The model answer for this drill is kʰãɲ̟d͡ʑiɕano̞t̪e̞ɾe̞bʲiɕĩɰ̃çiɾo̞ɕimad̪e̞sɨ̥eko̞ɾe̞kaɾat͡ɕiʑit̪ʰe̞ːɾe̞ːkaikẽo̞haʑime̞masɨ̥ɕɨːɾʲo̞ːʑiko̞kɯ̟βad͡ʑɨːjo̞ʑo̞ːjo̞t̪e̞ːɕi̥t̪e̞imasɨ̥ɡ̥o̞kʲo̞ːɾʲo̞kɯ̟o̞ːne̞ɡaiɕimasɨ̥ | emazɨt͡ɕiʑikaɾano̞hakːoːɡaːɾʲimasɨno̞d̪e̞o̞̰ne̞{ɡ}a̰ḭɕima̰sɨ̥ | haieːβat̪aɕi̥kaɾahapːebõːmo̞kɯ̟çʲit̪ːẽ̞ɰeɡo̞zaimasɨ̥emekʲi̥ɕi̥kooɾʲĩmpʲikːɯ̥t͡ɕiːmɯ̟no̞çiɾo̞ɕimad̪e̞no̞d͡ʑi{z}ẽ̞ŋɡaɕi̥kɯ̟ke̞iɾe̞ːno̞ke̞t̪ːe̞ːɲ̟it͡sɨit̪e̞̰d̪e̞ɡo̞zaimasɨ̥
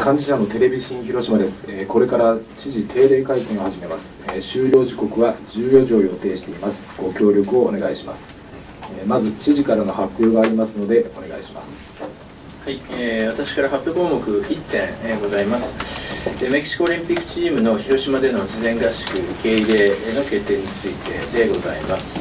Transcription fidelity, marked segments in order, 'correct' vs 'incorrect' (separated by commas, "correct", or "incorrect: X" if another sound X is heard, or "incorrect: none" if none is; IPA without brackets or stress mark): correct, correct